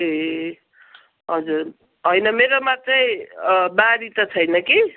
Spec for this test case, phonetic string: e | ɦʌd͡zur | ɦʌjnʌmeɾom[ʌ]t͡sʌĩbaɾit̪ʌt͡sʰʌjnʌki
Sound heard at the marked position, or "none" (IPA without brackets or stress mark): a